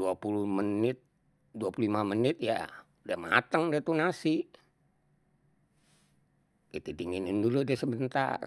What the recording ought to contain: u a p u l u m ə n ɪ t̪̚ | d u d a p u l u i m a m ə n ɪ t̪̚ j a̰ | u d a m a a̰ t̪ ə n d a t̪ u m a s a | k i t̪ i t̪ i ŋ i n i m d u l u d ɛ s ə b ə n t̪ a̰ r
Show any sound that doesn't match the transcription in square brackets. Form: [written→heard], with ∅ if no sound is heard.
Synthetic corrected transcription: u a p u l u m ə n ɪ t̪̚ | d u [d→∅] a p u l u i m a m ə n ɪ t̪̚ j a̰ | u d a m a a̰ t̪ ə [n→ŋ] d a t̪ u [m→n] a s [a→i] | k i t̪ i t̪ i ŋ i n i [m→n] d u l u d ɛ s ə b ə n t̪ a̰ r

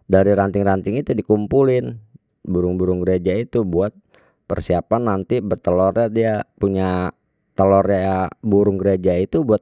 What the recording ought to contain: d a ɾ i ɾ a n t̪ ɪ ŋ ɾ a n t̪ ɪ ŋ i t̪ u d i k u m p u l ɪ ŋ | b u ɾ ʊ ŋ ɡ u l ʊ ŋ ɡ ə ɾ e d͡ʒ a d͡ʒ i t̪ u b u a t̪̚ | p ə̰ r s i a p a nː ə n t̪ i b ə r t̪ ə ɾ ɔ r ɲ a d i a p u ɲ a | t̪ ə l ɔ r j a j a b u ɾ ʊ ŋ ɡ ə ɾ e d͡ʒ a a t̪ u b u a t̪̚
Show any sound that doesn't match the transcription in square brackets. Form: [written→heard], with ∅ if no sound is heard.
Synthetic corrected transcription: d a ɾ i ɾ a n t̪ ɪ ŋ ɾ a n t̪ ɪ ŋ i t̪ u d i k u m p u l ɪ [ŋ→n] | b u ɾ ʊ ŋ [ɡ→b] u [l→ɾ] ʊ ŋ ɡ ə ɾ e d͡ʒ a [d͡ʒ→∅] i t̪ u b u a t̪̚ | p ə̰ r s i a p a nː [ə→a] n t̪ i b ə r t̪ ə [ɾ→l] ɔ r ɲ a d i a p u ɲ a | t̪ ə l ɔ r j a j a b u ɾ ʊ ŋ ɡ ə ɾ e d͡ʒ a [a→i] t̪ u b u a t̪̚

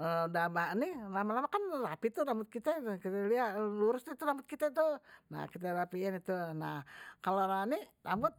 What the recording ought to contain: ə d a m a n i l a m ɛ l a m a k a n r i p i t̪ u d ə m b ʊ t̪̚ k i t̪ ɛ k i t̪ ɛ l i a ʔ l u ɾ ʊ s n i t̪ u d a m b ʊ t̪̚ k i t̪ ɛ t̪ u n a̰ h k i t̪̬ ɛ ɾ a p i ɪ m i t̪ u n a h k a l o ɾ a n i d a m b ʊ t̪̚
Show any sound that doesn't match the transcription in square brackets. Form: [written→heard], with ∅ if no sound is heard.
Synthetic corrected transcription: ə d a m a n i l a m [ɛ→a] l a m a k a n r [i→a] p i t̪ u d [ə→a] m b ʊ t̪̚ k i t̪ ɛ k i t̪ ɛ l i a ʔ l u ɾ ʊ s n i t̪ u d a m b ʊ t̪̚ k i t̪ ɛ t̪ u n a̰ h k i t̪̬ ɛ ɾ a p i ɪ [m→n] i t̪ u n a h k a l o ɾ a n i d a m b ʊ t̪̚

